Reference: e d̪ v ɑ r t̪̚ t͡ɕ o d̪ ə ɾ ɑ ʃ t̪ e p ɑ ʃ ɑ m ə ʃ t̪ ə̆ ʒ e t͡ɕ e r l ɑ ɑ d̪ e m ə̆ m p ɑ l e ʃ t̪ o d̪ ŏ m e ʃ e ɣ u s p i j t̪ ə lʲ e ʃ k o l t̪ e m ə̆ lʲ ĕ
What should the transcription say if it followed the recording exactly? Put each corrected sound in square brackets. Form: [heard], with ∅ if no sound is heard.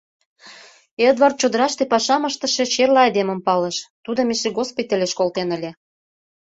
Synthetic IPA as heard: e d̪ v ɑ r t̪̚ t͡ɕ o d̪ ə ɾ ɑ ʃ t̪ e p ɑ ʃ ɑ m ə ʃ t̪ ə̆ [ʃ] e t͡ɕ e r l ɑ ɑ d̪ e m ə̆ m p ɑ l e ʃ t̪ [u] d̪ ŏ m e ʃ e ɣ [o] s p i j t̪ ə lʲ e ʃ k o l t̪ e [n] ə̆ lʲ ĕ

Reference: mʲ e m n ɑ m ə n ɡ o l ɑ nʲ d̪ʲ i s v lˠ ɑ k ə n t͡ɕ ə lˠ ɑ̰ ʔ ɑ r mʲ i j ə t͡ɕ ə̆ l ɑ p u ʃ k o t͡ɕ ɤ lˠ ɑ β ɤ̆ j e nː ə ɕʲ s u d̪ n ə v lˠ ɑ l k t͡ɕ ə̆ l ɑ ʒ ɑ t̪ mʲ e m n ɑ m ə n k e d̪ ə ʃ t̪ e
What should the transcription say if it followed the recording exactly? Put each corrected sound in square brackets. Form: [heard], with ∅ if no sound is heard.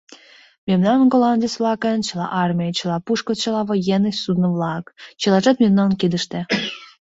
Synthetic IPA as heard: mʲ e m n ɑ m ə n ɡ o l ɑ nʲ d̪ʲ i s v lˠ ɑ k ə n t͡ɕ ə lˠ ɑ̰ ʔ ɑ r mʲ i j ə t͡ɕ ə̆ l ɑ p u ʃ k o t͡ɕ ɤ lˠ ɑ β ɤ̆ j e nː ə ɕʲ s u d̪ n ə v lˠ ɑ [∅] k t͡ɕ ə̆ l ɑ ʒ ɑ t̪ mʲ e m n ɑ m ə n k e d̪ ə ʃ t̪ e

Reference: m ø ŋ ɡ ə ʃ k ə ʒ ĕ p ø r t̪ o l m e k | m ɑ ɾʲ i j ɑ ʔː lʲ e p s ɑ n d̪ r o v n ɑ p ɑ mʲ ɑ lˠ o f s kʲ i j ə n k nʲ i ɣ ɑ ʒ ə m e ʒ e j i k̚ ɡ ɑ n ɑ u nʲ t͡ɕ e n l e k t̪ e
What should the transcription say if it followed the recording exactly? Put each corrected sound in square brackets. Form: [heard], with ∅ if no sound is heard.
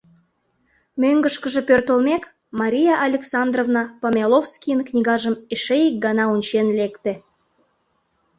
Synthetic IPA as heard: m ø ŋ ɡ ə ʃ k ə ʒ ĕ p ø r t̪ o l m e k | m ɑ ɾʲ i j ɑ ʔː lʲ e [k] s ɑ n d̪ r o v n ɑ p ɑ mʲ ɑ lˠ o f s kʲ i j ə n k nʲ i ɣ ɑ ʒ ə m e [ʃ] e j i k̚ ɡ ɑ n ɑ u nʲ t͡ɕ e n l e k t̪ e

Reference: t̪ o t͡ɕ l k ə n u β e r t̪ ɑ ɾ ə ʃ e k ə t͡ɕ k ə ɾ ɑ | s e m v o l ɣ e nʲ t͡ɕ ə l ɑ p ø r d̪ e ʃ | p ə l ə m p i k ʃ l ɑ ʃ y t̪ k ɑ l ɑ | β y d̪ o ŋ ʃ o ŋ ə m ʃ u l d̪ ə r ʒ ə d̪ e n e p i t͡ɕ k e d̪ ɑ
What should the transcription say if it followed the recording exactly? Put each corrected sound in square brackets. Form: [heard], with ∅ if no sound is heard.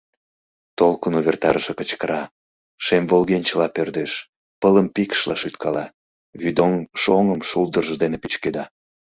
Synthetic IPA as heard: t̪ o [∅] l k ə n u β e r t̪ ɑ ɾ ə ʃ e k ə t͡ɕ k ə ɾ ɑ | [ʃ] e m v o l ɣ e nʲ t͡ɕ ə l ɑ p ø r d̪ e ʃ | p ə l ə m p i k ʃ l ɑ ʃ y t̪ k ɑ l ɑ | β y d̪ o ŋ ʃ o ŋ ə m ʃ u l d̪ ə r ʒ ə d̪ e n e p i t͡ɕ k e d̪ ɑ

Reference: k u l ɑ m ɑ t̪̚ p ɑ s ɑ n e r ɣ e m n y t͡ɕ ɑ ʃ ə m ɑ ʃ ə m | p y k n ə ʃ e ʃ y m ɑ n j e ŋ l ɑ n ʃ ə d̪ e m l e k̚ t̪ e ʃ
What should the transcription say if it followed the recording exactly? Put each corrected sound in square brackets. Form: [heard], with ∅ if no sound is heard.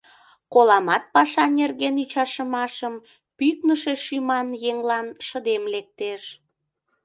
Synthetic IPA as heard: k [o] l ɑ m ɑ t̪̚ p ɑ [ʃ] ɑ n e r ɣ e [∅] n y t͡ɕ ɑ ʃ ə m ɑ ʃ ə m | p y k n ə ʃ e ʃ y m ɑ n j e ŋ l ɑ n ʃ ə d̪ e m l e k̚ t̪ e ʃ

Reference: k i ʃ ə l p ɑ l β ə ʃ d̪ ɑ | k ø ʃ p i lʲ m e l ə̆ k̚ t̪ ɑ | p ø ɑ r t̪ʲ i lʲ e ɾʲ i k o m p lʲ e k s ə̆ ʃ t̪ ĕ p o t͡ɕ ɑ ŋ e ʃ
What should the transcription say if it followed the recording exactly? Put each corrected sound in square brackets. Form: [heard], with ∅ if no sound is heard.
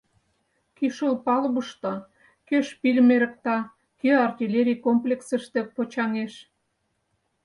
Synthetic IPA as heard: k i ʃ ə l p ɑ l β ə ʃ [t̪] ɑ | k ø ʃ p i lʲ m e [ɾ] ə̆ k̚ t̪ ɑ | [k] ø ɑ r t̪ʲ i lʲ e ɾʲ i k o m p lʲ e k s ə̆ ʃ t̪ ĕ p o t͡ɕ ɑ ŋ e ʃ

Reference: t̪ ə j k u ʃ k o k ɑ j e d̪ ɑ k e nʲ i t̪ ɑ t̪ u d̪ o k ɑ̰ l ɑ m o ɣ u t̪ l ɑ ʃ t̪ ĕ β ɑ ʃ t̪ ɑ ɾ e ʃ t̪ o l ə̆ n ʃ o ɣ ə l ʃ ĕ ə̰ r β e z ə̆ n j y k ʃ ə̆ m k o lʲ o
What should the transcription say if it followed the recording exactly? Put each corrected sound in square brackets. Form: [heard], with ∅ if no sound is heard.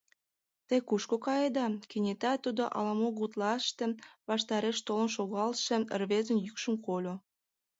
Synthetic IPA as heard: t̪ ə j k u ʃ k o k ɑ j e d̪ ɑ k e nʲ [e] t̪ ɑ t̪ u d̪ o [ʔ] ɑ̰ l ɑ m o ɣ u t̪ l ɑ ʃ t̪ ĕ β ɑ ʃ t̪ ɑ ɾ e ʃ t̪ o l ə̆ n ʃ o ɣ [ɑ] l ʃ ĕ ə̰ r β e z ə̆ n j y k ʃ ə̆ m k o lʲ o

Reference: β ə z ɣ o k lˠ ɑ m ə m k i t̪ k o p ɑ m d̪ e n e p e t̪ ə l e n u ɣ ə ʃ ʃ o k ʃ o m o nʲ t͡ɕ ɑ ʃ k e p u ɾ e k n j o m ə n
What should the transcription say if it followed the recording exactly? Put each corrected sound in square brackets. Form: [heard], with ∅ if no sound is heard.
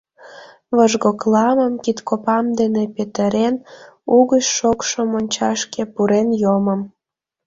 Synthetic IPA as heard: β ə [ʒ] ɣ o k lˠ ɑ m ə m k i t̪ k o p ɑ m d̪ e n e p e t̪ ə [ɾ] e n u ɣ ə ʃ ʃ o k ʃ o m o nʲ t͡ɕ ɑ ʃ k e p u ɾ e [∅] n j o m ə [m]

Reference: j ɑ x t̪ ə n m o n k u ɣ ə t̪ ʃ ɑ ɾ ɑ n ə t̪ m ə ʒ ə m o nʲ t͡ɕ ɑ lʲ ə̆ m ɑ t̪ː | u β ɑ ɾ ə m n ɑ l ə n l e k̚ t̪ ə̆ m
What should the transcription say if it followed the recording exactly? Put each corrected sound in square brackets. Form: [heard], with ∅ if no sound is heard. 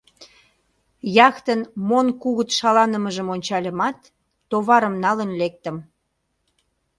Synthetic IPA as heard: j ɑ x t̪ ə n m o n k u ɣ ə t̪ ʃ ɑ [l] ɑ n ə [∅] m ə ʒ ə m o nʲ t͡ɕ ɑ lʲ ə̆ m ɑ t̪ː | [o] β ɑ ɾ ə m n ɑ l ə n l e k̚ t̪ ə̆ m

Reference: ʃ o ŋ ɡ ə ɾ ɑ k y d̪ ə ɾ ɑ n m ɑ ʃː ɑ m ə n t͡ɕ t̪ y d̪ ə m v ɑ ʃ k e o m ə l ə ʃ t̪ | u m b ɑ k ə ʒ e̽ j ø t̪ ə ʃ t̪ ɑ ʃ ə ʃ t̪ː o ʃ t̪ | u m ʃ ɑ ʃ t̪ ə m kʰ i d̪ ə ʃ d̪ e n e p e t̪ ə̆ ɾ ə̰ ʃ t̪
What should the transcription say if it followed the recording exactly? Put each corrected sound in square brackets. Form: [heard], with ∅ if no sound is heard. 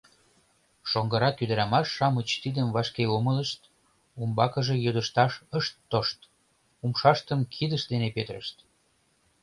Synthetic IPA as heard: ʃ o ŋ ɡ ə ɾ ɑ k y d̪ ə ɾ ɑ [∅] m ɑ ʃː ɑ m ə [∅] t͡ɕ t̪ [i] d̪ ə m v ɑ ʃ k e o m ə l ə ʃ t̪ | u m b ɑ k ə ʒ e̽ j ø [d̪] ə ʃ t̪ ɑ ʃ ə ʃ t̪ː o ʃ t̪ | u m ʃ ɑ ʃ t̪ ə m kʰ i d̪ ə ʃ d̪ e n e p e t̪ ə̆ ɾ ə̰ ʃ t̪

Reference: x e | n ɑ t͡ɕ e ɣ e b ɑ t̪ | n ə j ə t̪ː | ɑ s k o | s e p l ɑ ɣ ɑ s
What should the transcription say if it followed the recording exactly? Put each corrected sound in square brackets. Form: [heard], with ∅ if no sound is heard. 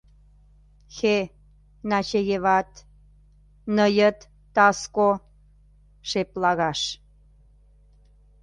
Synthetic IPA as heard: x e | n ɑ t͡ɕ e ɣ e [β] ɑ t̪ | n ə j ə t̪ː | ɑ s k o | [ʃ] e p l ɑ ɣ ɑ [ʃ]

